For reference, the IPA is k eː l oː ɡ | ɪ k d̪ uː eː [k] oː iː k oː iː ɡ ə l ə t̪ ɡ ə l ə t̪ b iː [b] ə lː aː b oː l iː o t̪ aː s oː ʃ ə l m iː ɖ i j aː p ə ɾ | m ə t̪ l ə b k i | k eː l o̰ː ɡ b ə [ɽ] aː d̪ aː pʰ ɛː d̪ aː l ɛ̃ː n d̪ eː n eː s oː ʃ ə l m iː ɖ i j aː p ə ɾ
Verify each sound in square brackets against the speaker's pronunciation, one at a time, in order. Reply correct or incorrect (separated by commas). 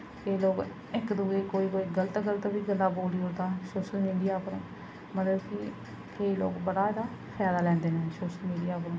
correct, incorrect, correct